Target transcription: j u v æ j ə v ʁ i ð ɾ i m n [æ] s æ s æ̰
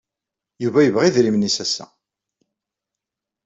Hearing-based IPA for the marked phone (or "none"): i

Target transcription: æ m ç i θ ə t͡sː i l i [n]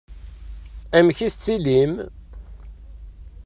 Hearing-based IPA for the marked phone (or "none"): m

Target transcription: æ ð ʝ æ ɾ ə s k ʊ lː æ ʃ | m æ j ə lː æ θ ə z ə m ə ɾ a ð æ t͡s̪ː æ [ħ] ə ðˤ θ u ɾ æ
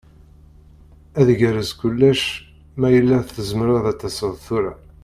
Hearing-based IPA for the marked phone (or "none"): s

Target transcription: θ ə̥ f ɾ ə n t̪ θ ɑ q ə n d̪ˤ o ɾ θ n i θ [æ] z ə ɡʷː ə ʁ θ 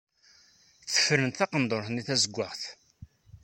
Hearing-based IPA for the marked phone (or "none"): æ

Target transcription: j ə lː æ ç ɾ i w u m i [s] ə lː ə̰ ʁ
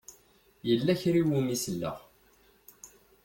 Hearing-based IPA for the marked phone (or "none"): s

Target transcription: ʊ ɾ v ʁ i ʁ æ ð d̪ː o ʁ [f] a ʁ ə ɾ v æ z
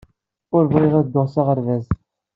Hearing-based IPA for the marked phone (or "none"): s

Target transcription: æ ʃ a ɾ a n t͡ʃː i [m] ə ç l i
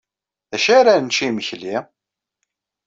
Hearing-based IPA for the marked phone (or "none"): m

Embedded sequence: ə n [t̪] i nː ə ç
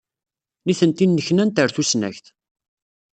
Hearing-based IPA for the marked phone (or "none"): t̪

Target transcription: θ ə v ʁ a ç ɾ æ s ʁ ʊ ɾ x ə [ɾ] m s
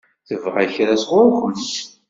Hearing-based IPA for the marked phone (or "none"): none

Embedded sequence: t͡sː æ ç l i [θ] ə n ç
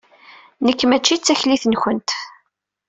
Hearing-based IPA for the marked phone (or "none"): θ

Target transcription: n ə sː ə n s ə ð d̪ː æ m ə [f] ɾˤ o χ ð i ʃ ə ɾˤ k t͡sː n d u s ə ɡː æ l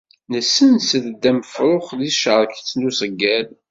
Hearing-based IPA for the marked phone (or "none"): f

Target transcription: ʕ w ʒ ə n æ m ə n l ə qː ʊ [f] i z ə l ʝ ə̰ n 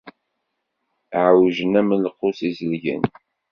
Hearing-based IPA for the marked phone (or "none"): s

